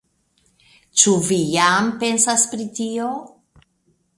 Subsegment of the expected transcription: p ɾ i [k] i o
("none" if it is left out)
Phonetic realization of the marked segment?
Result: t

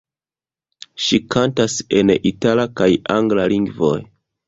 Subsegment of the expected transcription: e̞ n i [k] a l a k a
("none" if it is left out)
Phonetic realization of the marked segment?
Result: t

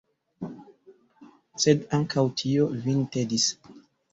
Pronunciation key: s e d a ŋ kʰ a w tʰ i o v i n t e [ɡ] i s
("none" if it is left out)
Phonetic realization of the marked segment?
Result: d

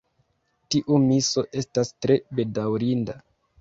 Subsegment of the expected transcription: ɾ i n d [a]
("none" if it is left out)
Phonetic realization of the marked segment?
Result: a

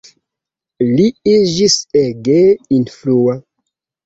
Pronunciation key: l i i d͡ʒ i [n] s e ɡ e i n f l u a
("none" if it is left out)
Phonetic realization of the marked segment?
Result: none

